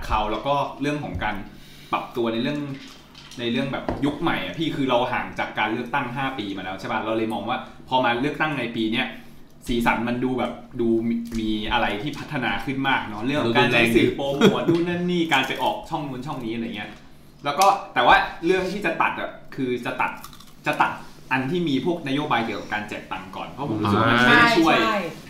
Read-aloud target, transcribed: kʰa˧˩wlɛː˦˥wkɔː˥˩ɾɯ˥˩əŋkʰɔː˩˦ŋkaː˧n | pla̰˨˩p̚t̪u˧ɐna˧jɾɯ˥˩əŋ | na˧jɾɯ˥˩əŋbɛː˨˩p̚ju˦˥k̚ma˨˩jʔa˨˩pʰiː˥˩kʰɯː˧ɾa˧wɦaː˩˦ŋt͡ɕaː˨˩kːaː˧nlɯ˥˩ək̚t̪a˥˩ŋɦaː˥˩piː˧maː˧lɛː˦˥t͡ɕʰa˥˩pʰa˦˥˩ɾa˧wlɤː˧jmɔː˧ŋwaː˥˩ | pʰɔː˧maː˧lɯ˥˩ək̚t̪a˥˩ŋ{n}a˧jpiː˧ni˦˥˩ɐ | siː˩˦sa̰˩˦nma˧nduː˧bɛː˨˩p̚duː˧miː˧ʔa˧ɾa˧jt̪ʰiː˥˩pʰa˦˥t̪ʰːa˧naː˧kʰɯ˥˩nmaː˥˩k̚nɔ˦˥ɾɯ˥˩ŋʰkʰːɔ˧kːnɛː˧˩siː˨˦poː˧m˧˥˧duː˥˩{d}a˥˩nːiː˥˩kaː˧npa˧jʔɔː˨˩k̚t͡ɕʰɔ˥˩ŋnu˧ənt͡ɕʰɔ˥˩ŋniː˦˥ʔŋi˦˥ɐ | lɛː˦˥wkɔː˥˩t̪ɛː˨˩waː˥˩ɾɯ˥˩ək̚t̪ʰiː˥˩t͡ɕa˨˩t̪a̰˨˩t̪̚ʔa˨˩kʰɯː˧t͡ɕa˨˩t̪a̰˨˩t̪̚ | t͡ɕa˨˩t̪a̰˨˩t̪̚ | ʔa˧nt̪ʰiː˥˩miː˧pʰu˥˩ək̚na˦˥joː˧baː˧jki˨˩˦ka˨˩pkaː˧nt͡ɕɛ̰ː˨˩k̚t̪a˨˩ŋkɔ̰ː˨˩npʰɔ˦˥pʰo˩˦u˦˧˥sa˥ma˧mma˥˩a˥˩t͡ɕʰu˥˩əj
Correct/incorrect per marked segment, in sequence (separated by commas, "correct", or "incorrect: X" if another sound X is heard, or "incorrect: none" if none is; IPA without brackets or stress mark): correct, incorrect: n